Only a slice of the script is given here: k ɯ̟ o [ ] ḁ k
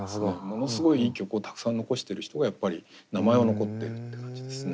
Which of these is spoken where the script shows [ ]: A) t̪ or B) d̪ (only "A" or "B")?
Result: A